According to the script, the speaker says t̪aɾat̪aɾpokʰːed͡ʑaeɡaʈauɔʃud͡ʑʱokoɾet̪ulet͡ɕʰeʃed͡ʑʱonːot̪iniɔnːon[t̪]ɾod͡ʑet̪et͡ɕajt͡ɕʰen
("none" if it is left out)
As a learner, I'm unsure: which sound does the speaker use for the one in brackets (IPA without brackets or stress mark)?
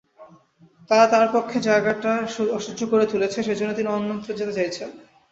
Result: t̪